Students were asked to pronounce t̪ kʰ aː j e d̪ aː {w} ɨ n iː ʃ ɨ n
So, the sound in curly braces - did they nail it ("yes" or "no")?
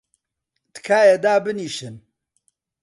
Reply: no